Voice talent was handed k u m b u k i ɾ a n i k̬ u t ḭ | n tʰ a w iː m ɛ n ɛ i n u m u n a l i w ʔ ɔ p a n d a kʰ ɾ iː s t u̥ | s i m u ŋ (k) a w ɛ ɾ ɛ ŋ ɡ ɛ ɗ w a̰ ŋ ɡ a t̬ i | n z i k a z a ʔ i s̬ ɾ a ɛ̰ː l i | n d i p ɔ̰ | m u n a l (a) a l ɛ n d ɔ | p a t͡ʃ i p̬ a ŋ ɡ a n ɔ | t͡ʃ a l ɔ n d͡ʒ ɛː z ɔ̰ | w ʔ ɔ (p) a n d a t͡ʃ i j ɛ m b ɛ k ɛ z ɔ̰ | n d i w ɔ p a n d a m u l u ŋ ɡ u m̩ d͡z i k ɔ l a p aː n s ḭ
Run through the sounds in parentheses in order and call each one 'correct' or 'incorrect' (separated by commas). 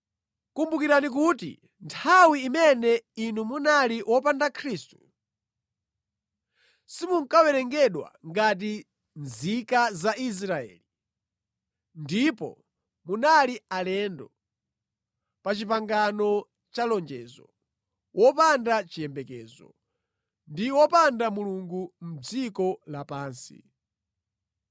correct, incorrect, correct